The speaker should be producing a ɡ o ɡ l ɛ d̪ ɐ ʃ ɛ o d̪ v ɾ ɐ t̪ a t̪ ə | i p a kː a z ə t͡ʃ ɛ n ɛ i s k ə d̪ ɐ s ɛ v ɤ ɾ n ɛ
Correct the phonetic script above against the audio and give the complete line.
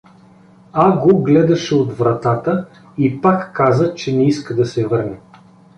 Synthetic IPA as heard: a ɡ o ɡ l ɛ d̪ ɐ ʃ ɛ o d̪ v ɾ ɐ t̪ a t̪ ə | i p a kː a z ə t͡ʃ ɛ n ɛ i s k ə d̪ ɐ s ɛ v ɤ ɾ n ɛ